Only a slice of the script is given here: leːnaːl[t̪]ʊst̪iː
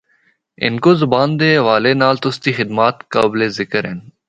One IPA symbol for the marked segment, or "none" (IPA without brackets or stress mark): t̪